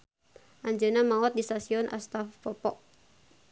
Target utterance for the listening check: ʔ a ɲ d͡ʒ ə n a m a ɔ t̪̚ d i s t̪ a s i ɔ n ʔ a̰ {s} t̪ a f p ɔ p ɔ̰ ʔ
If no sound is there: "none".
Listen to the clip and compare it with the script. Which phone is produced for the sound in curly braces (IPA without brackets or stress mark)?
s